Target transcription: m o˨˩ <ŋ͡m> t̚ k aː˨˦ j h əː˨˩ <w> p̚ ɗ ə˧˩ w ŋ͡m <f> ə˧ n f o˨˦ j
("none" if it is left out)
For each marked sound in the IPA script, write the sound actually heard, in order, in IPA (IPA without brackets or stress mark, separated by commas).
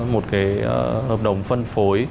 none, none, f